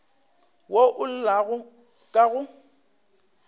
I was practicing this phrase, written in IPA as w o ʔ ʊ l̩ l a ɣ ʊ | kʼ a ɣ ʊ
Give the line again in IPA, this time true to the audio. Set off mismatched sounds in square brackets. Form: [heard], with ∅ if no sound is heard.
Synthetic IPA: w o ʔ ʊ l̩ l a ɣ ʊ | kʼ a ɣ ʊ